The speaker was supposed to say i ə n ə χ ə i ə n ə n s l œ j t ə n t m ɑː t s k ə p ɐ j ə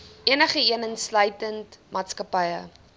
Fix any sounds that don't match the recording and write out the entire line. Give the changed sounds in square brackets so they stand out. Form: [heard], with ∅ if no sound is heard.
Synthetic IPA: i ə n ə χ ə i ə n ə n s l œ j t ə n t m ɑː t s k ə p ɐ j ə